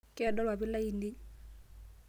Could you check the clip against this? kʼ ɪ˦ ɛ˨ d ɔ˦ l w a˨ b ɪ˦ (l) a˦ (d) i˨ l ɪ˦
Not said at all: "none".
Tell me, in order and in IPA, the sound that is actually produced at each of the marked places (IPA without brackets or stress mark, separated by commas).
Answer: l, none